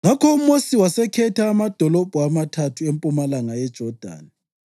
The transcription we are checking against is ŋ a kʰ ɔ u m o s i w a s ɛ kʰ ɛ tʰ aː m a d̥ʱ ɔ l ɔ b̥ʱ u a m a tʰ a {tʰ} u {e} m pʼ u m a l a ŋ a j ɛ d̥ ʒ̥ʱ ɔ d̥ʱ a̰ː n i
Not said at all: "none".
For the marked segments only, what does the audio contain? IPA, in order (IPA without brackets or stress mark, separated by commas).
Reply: tʰ, e